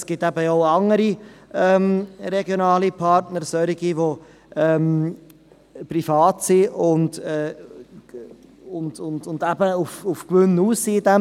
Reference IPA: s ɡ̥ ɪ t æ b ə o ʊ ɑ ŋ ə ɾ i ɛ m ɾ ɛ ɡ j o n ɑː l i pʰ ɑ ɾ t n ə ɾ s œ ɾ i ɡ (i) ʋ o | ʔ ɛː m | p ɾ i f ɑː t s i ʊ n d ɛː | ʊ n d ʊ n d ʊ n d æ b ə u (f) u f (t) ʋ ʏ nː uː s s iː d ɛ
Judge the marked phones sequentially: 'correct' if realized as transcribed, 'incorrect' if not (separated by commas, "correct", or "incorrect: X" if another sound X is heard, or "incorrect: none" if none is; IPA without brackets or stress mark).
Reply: correct, correct, incorrect: k